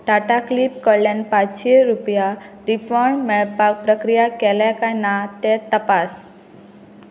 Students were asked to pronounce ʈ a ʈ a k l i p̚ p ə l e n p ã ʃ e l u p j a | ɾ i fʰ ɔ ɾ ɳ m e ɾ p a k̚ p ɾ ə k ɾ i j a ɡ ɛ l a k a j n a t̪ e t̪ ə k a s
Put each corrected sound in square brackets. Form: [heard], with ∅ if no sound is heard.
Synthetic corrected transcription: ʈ a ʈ a k l i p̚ [k] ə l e n p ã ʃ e [ɾ] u p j a | ɾ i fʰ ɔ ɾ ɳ m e [ɭ] p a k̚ p ɾ ə k ɾ i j a [k] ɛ l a k a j n a t̪ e t̪ ə [p] a s

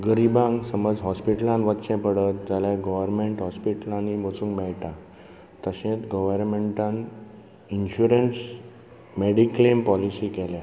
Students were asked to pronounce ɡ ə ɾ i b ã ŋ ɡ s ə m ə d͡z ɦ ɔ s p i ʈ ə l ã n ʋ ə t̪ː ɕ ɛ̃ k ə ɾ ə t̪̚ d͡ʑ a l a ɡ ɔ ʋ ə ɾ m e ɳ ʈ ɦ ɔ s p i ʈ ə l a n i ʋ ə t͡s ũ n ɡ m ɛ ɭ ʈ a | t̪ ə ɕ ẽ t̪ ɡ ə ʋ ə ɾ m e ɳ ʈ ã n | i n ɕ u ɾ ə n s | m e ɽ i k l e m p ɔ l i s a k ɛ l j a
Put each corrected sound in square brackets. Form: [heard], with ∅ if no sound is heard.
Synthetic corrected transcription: ɡ ə ɾ i b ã ŋ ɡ s ə m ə d͡z ɦ ɔ s p i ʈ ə l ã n ʋ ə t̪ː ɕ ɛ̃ [p] ə [ɽ] ə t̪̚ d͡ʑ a l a ɡ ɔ ʋ ə ɾ m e ɳ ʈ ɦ ɔ s p i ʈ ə l a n i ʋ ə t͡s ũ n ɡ m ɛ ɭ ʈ a | t̪ ə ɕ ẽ t̪ ɡ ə ʋ ə ɾ m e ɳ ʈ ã n | i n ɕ u ɾ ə n s | m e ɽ i k l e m p ɔ l i s [i] k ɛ l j a

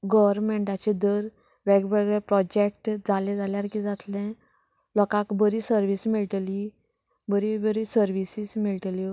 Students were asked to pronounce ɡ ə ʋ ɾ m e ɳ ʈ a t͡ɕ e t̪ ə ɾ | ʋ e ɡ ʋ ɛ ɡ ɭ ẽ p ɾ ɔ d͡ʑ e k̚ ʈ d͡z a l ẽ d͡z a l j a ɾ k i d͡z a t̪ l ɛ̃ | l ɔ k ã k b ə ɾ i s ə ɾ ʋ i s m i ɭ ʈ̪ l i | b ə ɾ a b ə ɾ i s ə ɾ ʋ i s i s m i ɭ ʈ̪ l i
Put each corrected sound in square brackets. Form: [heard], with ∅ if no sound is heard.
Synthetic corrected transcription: ɡ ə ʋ ɾ m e ɳ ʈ a t͡ɕ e [d̪] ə ɾ | ʋ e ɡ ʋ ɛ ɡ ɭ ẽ p ɾ ɔ d͡ʑ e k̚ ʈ d͡z a l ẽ d͡z a l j a ɾ k i d͡z a t̪ l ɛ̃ | l ɔ k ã k b ə ɾ i s ə ɾ ʋ i s m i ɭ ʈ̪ l i | b ə ɾ [i] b ə ɾ i s ə ɾ ʋ i s i s m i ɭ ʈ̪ l i

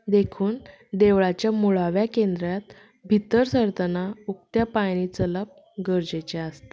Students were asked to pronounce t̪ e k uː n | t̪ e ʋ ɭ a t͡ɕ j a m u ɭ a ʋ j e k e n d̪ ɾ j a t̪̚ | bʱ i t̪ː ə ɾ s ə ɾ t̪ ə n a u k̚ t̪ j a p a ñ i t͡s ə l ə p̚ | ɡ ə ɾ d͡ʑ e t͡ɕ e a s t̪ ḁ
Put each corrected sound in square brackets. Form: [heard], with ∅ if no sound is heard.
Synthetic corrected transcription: [d̪] e [kʰ] uː n | [d̪] e ʋ ɭ a t͡ɕ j a m u ɭ a ʋ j [a] k e n d̪ ɾ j a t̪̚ | bʱ i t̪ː ə ɾ s ə ɾ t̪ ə n a u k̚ t̪ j a p a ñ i t͡s ə l ə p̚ | ɡ ə ɾ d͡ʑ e t͡ɕ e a s t̪ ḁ

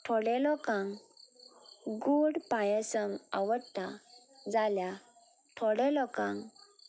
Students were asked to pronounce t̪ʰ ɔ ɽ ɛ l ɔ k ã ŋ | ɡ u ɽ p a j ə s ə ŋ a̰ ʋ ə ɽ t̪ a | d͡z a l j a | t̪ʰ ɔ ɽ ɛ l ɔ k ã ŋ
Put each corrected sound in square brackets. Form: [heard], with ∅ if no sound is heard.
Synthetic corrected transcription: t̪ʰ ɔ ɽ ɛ l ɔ k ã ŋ | ɡ u ɽ p a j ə s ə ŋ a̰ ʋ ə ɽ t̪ a | d͡z a l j a | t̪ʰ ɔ ɽ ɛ l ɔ k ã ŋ

